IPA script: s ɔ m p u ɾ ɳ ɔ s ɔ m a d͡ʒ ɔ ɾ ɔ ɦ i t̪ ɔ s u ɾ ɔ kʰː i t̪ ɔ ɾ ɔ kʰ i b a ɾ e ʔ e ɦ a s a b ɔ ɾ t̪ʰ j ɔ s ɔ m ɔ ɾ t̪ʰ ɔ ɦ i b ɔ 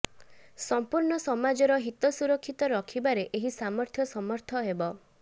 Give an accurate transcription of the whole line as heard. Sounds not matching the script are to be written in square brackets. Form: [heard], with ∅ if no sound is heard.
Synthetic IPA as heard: s ɔ m p u ɾ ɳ ɔ s ɔ m a d͡ʒ ɔ ɾ ɔ ɦ i t̪ ɔ s u ɾ ɔ kʰː i t̪ ɔ ɾ ɔ kʰ i b a ɾ e ʔ e ɦ [i] s a [m] ɔ ɾ t̪ʰ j ɔ s ɔ m ɔ ɾ t̪ʰ ɔ ɦ [e] b ɔ

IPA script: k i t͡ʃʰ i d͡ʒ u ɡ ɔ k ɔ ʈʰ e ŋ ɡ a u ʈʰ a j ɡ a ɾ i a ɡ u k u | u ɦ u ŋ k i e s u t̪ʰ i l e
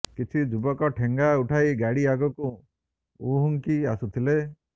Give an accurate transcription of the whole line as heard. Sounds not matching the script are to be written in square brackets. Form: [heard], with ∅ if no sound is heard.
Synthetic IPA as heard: k i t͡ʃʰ i d͡ʒ u [b] ɔ k ɔ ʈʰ e ŋ ɡ a u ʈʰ a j ɡ a [ɽ] i a ɡ [ɔ] k u | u ɦ u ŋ k i [a] s u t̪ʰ i l e

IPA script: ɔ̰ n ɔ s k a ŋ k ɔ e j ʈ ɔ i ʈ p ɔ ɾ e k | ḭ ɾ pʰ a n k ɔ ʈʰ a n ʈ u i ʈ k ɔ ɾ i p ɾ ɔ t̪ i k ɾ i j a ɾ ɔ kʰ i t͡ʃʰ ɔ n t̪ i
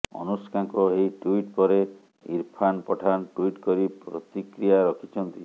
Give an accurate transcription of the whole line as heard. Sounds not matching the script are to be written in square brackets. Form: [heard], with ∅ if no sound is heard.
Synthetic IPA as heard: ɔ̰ n [u] s k a ŋ k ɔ e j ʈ [u] i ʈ p ɔ ɾ e [∅] | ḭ ɾ pʰ a n [p] ɔ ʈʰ a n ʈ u i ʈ k ɔ ɾ i p ɾ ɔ t̪ i k ɾ i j a ɾ ɔ kʰ i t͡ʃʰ ɔ n t̪ i

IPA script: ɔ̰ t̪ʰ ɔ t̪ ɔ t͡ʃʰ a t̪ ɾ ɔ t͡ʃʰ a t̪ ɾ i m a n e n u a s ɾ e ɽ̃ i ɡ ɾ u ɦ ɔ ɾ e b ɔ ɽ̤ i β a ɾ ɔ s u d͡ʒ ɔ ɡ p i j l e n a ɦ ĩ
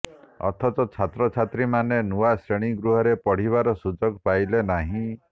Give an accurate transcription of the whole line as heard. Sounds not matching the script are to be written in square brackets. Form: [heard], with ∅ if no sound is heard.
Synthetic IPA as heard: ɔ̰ t̪ʰ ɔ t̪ ɔ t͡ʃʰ a t̪ ɾ ɔ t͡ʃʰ a t̪ ɾ i m a n e n u a s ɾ e ɽ̃ i ɡ ɾ u ɦ ɔ ɾ e [p] ɔ ɽ̤ i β a ɾ ɔ s u d͡ʒ ɔ ɡ p [a] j l e n a ɦ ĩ

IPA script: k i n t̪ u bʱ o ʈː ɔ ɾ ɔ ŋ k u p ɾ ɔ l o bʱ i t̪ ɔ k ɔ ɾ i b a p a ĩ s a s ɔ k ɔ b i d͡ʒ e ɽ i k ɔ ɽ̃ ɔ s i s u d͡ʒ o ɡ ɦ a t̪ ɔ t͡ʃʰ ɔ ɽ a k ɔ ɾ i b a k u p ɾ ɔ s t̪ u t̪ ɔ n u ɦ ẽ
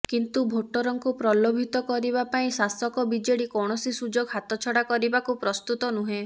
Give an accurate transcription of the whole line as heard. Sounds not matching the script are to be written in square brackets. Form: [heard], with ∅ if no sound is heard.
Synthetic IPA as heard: k i n t̪ u bʱ o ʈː ɔ ɾ ɔ ŋ k u p ɾ ɔ l o bʱ i t̪ ɔ k ɔ ɾ i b a p a ĩ s a s ɔ k ɔ b i d͡ʒ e ɽ i k ɔ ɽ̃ ɔ s i s u d͡ʒ o ɡ ɦ a t̪ ɔ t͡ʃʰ ɔ ɽ a k ɔ ɾ i b a k u p ɾ ɔ s t̪ u t̪ ɔ n u ɦ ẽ

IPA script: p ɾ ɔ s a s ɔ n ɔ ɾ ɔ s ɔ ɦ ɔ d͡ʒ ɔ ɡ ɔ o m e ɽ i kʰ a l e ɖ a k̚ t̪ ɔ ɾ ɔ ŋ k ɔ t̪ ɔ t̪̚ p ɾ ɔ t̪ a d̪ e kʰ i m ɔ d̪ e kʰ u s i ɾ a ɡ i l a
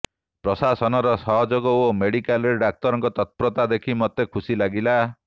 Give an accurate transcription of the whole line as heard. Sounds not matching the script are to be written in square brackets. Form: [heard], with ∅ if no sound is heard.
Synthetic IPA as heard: p ɾ ɔ s a s ɔ n ɔ ɾ ɔ s ɔ ɦ ɔ d͡ʒ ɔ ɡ ɔ o m e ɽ i [k] a l e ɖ a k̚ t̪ ɔ ɾ ɔ ŋ k ɔ t̪ ɔ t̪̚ p ɾ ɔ t̪ a d̪ e kʰ i m ɔ [t̪] e kʰ u s i [l] a ɡ i l a

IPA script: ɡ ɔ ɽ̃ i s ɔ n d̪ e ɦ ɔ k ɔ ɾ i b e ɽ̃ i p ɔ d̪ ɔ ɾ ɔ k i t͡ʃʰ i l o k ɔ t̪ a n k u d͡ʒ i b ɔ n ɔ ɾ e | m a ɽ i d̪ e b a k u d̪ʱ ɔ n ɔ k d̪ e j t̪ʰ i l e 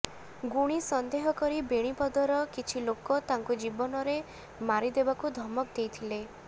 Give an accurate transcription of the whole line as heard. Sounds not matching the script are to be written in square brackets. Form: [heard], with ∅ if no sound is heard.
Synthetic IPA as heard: ɡ [u] ɽ̃ i s ɔ n d̪ e ɦ ɔ k ɔ ɾ i b e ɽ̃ i p ɔ d̪ ɔ ɾ ɔ k i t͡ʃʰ i l o k ɔ t̪ a [ŋ] k u d͡ʒ i b ɔ n ɔ ɾ e | m a [ɾ] i d̪ e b a k u d̪ʱ ɔ [m] ɔ k d̪ e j t̪ʰ i l e

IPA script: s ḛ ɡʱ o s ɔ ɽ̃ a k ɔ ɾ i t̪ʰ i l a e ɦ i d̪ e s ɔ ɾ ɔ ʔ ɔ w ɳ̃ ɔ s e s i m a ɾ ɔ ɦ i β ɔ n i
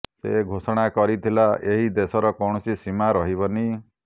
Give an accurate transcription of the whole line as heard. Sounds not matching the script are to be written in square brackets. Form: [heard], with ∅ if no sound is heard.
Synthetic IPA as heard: s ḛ ɡʱ o s ɔ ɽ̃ a k ɔ ɾ i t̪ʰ i l a e ɦ i d̪ e s ɔ ɾ ɔ [k] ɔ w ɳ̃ ɔ s [i] s i m a ɾ ɔ ɦ i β ɔ n i

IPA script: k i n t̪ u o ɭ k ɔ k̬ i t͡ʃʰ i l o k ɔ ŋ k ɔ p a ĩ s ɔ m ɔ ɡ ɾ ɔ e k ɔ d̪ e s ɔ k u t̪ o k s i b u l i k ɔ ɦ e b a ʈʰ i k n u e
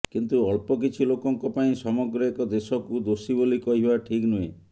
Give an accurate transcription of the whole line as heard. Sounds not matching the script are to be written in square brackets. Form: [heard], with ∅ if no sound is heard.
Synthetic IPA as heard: k i n t̪ u [ɔ] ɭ [p] ɔ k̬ i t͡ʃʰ i l o k ɔ ŋ k ɔ p a ĩ s ɔ m ɔ ɡ ɾ ɔ e k ɔ d̪ e s ɔ k u [d̪] o [∅] s i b [o] l i k ɔ ɦ [i] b a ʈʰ i k n u e

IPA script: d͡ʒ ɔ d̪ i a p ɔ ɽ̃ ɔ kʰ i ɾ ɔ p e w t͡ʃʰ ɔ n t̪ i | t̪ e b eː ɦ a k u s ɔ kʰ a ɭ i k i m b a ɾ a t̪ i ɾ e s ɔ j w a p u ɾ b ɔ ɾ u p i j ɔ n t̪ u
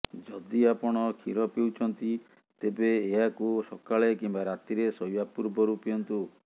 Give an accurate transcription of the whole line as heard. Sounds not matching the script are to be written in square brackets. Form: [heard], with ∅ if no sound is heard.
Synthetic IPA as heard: d͡ʒ ɔ d̪ i a p ɔ ɽ̃ ɔ kʰ i ɾ ɔ p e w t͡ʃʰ ɔ n t̪ i | t̪ e b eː ɦ a k u s ɔ [k] a ɭ [e] k i m b a ɾ a t̪ i ɾ e s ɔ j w a p u ɾ b ɔ ɾ u p i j ɔ n t̪ u

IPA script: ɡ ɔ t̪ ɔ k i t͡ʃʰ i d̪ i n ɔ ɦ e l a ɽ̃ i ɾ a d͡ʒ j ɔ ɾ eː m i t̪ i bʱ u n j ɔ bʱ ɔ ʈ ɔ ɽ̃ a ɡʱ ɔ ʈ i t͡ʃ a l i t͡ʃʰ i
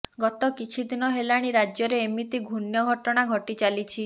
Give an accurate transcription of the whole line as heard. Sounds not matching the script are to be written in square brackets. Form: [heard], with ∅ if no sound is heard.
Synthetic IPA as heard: ɡ ɔ t̪ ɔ k i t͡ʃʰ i d̪ i n ɔ ɦ e l a ɽ̃ i ɾ a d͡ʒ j ɔ ɾ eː m i t̪ i [ɡʱ] u n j ɔ [ɡʱ] ɔ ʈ ɔ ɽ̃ a ɡʱ ɔ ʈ i t͡ʃ a l i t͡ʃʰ i

